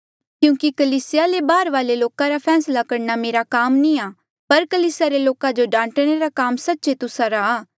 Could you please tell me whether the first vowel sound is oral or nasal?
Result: nasal